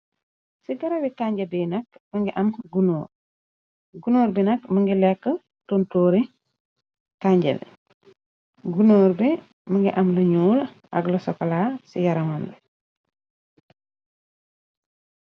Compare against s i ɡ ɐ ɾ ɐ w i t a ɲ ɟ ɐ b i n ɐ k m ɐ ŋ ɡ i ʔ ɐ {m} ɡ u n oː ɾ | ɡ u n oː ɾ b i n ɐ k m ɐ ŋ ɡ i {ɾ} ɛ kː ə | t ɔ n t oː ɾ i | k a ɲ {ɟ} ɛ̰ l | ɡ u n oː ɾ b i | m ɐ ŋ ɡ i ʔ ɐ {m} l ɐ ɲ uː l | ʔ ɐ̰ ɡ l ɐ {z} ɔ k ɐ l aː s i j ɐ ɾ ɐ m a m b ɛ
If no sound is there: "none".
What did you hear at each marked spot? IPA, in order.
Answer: m, l, ɟ, m, s

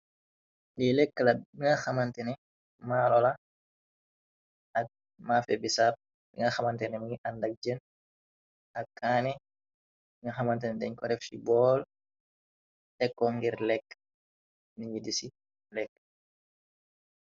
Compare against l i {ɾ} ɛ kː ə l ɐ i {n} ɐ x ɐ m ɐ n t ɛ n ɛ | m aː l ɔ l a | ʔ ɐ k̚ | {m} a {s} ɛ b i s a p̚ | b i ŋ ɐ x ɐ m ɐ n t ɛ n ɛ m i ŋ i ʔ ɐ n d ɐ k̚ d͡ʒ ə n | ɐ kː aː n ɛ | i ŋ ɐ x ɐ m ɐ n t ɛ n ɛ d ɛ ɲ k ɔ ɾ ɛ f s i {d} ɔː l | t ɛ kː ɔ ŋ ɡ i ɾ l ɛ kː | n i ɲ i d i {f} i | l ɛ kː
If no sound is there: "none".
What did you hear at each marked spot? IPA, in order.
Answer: l, ŋ, m, f, b, s

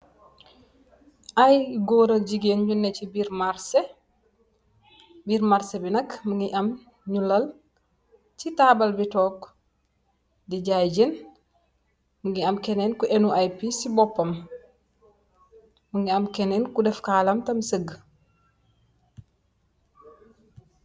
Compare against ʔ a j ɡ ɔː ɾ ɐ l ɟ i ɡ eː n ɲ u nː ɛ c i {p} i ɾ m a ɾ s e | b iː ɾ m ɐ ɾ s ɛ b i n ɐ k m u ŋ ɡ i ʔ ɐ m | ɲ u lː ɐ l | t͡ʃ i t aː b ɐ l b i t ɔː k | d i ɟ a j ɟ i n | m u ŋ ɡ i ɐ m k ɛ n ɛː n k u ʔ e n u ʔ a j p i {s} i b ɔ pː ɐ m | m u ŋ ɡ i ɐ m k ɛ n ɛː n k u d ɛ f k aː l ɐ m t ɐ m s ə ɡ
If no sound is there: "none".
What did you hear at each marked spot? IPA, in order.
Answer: b, s

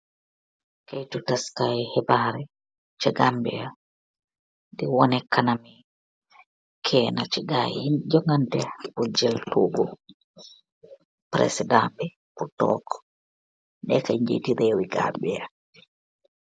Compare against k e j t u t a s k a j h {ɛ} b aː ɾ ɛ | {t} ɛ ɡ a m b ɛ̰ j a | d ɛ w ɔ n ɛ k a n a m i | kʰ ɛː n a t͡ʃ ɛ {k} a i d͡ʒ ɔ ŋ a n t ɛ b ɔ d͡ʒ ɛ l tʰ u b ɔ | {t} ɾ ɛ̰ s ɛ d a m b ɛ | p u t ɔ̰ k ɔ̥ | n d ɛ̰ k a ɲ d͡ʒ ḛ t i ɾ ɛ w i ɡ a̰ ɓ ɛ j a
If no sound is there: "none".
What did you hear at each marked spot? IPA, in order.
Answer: ɛ, t͡ʃ, ɡ, p

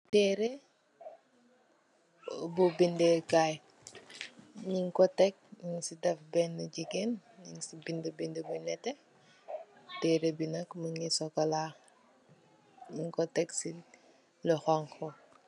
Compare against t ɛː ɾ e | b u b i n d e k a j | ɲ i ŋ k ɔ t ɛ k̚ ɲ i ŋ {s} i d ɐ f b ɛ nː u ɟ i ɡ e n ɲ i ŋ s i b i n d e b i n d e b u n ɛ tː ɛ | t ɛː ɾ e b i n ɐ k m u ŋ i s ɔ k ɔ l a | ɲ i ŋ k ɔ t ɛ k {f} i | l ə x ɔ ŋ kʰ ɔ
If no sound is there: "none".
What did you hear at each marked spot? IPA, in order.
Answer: s, s

